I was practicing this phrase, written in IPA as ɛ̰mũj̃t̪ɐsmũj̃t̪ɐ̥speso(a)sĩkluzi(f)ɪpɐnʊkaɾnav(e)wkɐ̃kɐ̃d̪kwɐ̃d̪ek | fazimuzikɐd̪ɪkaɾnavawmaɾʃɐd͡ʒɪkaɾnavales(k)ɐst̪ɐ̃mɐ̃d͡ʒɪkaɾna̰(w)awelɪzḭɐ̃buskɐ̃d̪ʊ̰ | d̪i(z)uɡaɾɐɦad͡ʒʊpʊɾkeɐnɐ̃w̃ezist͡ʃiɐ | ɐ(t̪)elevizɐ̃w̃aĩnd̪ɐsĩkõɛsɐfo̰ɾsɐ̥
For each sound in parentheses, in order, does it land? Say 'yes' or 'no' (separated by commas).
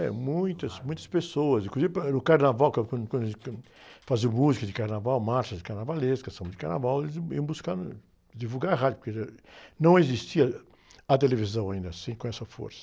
no, no, no, yes, no, no, yes